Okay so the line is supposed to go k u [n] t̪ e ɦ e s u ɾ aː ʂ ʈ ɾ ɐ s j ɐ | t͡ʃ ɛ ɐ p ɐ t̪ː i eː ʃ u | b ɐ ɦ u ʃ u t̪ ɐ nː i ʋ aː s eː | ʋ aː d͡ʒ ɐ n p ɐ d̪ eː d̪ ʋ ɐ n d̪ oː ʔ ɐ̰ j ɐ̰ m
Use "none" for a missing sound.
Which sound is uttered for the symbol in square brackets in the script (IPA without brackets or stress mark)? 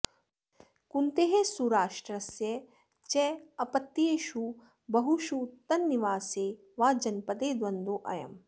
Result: n